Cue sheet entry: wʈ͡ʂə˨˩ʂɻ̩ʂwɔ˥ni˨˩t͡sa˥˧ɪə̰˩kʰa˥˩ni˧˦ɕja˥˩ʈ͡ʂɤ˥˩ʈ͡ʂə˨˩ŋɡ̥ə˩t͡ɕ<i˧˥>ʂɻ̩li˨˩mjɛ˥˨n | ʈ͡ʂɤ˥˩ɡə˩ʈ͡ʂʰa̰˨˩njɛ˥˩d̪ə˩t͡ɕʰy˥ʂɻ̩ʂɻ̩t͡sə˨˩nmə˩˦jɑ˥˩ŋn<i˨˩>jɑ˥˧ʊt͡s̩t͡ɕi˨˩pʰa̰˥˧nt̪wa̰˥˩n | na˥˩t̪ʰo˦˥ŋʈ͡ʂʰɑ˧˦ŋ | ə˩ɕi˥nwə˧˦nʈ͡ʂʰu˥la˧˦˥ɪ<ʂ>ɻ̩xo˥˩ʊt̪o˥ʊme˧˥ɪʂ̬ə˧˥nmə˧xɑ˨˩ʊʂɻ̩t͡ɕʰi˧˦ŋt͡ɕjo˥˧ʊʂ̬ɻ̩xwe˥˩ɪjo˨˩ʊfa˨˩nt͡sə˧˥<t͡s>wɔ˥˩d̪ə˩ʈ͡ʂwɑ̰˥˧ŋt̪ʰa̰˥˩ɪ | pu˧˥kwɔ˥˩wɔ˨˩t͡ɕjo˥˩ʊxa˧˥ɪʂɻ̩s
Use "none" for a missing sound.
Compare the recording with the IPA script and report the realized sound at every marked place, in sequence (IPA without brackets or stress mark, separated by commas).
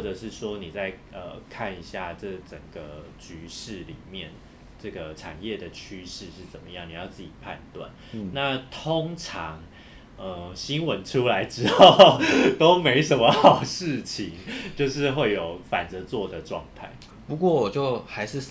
y˧˥, i˨˩, ʈ͡ʂ, t͡s